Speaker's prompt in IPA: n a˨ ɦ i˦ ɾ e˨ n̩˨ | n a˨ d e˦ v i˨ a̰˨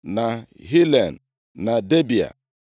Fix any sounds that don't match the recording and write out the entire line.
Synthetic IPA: n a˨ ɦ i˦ l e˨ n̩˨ | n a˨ d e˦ b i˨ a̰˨